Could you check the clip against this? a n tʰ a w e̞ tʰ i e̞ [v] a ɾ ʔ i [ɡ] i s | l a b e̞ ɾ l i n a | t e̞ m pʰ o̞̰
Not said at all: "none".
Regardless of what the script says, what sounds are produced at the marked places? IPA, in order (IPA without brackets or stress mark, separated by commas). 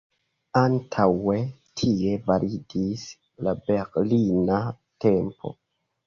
v, d